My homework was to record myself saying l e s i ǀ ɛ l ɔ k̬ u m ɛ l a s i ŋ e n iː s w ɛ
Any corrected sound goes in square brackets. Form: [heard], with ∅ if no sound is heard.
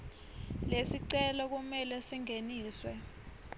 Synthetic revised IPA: l e s i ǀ ɛ l ɔ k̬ u m ɛ l [ɛ] s i ŋ e n iː s w ɛ

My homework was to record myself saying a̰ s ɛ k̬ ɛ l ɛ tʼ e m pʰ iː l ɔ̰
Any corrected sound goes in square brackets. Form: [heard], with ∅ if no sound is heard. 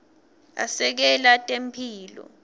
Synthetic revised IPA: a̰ s ɛ k̬ ɛ l [a] tʼ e m pʰ iː l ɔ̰

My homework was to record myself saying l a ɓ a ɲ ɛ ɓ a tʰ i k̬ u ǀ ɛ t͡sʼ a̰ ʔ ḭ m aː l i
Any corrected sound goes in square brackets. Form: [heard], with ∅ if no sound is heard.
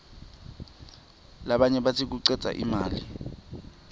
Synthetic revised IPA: l a ɓ a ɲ ɛ ɓ a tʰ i k̬ u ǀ ɛ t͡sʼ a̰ ʔ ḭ m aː l i

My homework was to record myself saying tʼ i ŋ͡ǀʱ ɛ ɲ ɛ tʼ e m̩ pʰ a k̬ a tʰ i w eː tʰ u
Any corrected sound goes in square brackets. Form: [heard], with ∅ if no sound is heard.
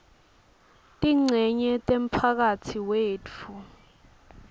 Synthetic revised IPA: tʼ i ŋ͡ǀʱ ɛ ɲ ɛ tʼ e m̩ pʰ a k̬ a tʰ i w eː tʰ u

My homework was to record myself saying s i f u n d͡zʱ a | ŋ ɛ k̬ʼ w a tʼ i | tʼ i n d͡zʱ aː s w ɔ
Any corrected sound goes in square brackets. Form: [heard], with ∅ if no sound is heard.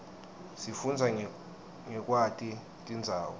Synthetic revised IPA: s i f u n d͡zʱ a | ŋ ɛ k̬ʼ w a tʼ i | tʼ i n d͡zʱ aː [∅] w ɔ

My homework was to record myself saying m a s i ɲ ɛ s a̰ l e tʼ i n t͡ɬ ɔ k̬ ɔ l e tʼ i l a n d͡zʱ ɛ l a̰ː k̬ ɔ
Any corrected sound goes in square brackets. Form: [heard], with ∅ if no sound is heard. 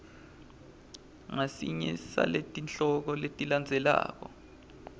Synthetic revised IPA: [ŋ] a s i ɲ ɛ s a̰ l e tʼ i n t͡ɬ ɔ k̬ ɔ l e tʼ i l a n d͡zʱ ɛ l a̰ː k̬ ɔ

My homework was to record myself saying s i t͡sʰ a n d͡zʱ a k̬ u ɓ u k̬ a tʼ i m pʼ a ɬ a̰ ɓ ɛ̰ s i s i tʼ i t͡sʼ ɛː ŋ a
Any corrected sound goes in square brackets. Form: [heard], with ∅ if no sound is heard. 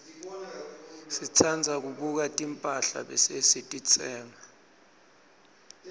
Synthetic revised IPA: s i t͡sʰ a n d͡zʱ a k̬ u ɓ u k̬ a tʼ i m pʼ a ɬ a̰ ɓ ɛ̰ s [e] s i tʼ i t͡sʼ ɛː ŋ a

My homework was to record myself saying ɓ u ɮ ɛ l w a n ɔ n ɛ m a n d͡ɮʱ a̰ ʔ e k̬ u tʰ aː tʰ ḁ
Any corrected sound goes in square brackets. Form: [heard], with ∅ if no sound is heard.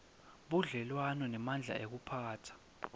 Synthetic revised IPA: ɓ u ɮ ɛ l w a n ɔ n ɛ m a n d͡ɮʱ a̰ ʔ e k̬ u [pʰ] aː tʰ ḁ

